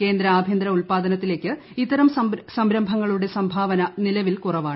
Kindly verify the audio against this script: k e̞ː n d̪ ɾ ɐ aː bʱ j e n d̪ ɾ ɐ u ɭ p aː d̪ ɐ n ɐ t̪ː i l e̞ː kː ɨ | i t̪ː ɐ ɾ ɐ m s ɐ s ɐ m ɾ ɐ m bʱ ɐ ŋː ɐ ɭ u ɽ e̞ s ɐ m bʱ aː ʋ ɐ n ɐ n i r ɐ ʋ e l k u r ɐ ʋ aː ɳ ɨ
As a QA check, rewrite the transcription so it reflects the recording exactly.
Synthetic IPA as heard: k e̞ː n d̪ ɾ ɐ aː bʱ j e n d̪ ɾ ɐ u ɭ p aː d̪ ɐ n ɐ t̪ː i l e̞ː kː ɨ | i t̪ː ɐ ɾ ɐ m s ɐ s ɐ m ɾ ɐ m bʱ ɐ ŋː ɐ ɭ u ɽ e̞ s ɐ m bʱ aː ʋ ɐ n ɐ n i l ɐ ʋ i l k u r ɐ ʋ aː ɳ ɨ